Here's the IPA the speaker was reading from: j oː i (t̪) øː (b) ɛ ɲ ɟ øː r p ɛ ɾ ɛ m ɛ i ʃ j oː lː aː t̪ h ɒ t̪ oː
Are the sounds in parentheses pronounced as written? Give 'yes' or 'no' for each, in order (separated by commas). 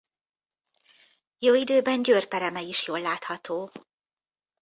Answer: no, yes